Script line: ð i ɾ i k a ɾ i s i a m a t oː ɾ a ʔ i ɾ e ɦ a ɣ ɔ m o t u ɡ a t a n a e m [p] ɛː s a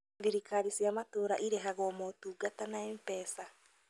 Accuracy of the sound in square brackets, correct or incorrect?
correct